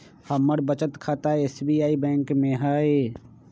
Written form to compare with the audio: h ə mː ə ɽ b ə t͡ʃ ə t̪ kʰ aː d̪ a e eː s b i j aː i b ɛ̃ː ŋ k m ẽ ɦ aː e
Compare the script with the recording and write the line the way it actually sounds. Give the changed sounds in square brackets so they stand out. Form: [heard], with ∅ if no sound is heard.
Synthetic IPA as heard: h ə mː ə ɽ b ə t͡ʃ ə t̪ kʰ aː [t̪] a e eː s b i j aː i b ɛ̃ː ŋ k m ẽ ɦ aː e